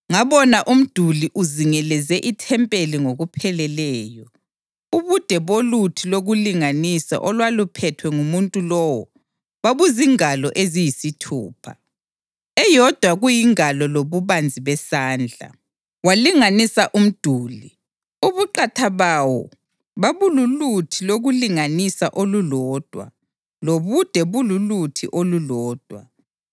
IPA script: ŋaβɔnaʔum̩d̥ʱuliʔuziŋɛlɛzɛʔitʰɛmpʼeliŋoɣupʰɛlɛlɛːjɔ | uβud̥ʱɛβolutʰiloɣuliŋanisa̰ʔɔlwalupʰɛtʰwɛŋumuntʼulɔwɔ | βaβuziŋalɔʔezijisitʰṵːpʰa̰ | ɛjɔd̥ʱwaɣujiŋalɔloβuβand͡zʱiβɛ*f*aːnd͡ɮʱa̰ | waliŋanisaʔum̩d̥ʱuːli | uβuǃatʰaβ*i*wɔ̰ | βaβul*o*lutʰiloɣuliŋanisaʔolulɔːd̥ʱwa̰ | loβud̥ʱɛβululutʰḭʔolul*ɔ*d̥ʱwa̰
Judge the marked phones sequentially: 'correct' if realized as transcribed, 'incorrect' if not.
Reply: incorrect: s, incorrect: a, incorrect: u, incorrect: ɔː

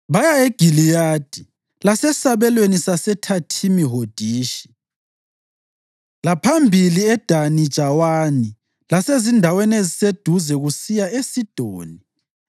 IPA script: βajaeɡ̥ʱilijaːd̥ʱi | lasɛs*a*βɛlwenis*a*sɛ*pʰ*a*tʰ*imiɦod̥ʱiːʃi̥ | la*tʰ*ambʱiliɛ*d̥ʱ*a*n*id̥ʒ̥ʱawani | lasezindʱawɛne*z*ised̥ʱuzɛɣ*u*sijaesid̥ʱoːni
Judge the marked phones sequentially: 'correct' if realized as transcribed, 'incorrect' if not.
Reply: correct, correct, incorrect: tʰ, correct, incorrect: pʰ, correct, correct, correct, correct

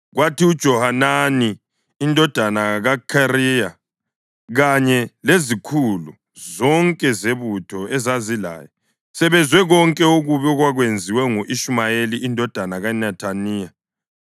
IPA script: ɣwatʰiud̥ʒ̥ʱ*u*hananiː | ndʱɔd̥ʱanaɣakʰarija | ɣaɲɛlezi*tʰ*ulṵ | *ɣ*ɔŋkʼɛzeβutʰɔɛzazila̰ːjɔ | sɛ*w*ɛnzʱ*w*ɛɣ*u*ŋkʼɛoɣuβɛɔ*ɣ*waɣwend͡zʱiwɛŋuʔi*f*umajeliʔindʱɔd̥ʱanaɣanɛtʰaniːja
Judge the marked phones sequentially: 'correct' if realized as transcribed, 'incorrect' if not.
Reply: incorrect: ɔ, incorrect: kʰ, incorrect: z, incorrect: β, correct, incorrect: ɔ, correct, incorrect: ʃ

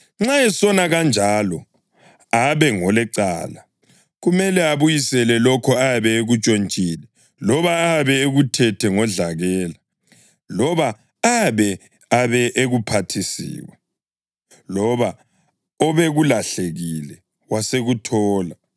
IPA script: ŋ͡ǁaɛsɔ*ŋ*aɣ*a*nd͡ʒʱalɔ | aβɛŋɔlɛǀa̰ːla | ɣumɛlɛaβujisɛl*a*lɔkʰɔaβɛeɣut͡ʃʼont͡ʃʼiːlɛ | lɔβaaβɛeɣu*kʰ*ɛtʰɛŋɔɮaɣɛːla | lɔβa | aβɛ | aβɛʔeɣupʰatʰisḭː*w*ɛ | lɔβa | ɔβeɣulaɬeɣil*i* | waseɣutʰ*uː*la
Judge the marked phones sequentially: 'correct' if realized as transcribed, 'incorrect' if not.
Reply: incorrect: n, correct, incorrect: ɛ, incorrect: tʰ, correct, incorrect: ɛ, incorrect: ɔː

